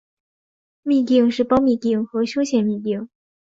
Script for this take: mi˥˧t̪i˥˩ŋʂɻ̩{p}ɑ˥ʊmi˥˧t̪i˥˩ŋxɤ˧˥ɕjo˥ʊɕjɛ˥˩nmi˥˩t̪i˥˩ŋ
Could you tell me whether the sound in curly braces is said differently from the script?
no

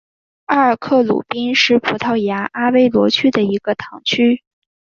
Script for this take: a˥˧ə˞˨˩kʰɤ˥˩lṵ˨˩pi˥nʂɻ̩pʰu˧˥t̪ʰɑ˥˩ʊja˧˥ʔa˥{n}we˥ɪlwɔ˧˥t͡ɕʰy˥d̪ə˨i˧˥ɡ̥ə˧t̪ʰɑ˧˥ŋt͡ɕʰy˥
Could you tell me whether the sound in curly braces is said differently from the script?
yes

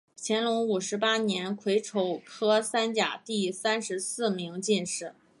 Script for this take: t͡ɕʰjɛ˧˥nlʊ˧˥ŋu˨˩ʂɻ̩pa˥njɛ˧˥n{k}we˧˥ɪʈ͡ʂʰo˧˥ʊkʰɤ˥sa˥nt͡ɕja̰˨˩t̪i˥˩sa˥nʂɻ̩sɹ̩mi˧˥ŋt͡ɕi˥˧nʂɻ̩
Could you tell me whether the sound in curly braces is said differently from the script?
yes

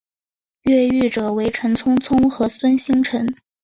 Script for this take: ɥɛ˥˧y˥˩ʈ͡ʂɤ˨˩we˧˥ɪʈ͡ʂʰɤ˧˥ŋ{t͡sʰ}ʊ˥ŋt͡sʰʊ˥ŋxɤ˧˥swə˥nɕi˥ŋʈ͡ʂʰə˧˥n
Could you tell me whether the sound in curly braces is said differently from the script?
no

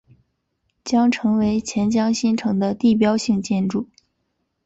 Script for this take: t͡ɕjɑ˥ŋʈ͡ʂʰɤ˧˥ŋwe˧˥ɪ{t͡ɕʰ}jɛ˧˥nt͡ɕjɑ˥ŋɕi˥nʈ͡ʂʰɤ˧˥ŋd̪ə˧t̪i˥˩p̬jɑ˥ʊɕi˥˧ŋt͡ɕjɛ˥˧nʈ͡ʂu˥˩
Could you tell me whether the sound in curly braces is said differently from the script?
no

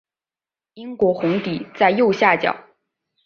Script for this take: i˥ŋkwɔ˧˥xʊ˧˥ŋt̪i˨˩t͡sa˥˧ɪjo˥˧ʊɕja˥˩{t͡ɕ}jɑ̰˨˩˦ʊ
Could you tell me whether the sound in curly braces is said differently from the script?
no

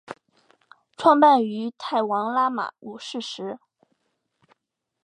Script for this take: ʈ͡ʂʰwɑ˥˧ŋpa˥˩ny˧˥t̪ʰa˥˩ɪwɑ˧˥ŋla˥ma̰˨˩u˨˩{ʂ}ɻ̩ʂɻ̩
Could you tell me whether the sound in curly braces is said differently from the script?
no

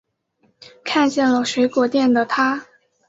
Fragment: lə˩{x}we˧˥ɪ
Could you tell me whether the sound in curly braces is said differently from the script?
yes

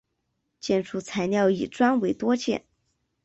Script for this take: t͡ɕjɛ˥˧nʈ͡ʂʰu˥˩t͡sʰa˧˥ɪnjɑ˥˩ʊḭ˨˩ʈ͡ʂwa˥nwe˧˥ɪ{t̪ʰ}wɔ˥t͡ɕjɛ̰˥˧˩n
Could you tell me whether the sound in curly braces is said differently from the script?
yes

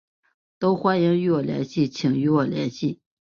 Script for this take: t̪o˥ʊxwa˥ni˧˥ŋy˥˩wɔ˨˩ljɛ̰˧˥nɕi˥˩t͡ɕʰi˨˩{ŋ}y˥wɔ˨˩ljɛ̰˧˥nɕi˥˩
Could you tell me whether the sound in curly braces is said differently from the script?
no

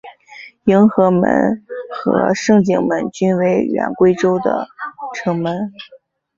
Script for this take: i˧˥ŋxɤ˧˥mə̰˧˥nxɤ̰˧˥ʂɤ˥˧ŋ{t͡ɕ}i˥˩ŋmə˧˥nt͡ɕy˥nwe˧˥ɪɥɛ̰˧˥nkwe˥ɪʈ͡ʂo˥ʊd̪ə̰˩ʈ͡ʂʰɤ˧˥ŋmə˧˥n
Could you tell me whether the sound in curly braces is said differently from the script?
no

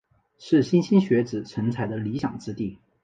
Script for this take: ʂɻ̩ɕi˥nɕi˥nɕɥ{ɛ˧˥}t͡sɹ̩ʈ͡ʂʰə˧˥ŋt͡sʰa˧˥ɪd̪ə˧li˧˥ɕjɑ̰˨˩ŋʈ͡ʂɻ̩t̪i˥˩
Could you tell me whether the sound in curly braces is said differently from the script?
no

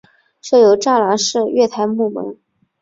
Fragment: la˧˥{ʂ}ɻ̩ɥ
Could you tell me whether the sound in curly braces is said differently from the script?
no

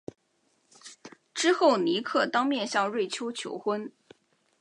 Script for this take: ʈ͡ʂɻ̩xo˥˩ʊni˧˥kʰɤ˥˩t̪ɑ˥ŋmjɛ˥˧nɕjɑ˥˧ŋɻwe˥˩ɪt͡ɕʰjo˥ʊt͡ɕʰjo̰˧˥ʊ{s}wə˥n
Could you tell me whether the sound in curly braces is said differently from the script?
yes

